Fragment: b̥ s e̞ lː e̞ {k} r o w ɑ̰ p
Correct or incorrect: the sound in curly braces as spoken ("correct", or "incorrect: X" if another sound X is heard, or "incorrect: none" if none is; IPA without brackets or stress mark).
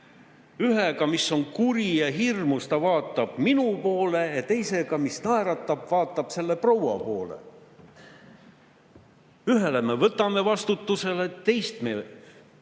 incorrect: p